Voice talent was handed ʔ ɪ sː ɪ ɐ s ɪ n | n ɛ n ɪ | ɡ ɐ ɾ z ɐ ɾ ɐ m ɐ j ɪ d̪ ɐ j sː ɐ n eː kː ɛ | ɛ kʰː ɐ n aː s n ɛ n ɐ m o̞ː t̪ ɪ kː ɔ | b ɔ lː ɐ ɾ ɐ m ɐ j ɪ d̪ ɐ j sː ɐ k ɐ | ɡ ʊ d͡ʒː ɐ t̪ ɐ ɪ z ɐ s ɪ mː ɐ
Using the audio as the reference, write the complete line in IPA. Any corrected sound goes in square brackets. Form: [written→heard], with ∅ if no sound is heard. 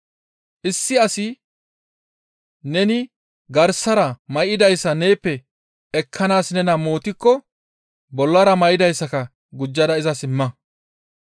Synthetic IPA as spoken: ʔ ɪ sː ɪ ɐ s ɪ [n→∅] | n ɛ n ɪ | ɡ ɐ ɾ [z→s] ɐ ɾ ɐ m ɐ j ɪ d̪ ɐ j sː ɐ n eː [kː→pː] ɛ | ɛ kʰː ɐ n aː s n ɛ n ɐ m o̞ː t̪ ɪ kː ɔ | b ɔ lː ɐ ɾ ɐ m ɐ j ɪ d̪ ɐ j sː ɐ k ɐ | ɡ ʊ d͡ʒː ɐ [t̪→d̪] ɐ ɪ z ɐ s ɪ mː ɐ